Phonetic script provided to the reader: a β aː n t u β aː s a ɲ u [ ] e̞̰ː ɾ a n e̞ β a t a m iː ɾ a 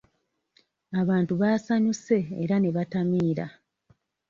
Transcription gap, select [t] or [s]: s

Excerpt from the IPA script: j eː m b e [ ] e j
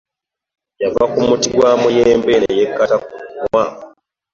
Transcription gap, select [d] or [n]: n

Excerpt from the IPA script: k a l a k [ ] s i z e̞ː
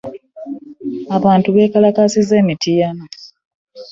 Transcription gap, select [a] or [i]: a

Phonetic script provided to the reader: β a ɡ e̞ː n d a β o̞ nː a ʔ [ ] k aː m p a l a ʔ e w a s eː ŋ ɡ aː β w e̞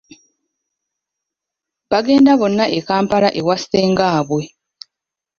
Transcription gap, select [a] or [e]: e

